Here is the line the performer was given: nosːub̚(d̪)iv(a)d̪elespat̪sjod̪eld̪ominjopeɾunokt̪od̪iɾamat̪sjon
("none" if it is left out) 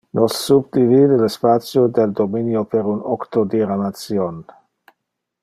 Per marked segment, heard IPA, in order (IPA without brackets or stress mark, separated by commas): d̪, i